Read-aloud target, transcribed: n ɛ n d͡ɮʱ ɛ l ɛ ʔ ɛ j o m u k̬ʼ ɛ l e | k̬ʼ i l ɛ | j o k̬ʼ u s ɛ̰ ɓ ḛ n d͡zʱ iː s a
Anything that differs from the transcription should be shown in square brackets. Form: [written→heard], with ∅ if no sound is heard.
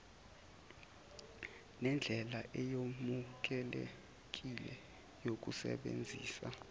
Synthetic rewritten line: n ɛ n d͡ɮʱ ɛ l [ɛ→a] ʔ ɛ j o m u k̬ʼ ɛ l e | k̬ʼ i l ɛ | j o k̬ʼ u s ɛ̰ ɓ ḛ n d͡zʱ iː s a